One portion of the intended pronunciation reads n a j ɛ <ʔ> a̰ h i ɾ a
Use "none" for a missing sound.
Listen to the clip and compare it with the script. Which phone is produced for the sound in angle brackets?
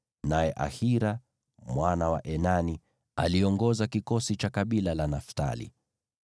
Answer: ʔ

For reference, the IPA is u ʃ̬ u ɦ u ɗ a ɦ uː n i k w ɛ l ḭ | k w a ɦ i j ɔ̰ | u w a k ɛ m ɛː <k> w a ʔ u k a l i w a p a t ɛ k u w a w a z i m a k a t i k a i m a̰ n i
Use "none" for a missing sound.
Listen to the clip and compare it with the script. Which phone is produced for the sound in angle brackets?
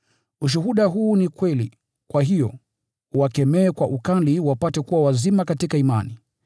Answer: k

